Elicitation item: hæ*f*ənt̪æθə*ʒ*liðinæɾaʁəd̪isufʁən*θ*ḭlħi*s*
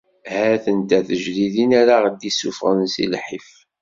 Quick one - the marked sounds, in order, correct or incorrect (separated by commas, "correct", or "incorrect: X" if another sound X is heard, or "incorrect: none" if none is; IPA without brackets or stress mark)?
incorrect: θ, correct, incorrect: s, incorrect: f